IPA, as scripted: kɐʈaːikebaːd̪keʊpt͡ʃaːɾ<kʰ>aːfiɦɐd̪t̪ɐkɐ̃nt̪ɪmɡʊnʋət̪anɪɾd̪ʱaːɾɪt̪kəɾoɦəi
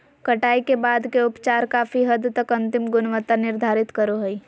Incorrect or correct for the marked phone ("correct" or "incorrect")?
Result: incorrect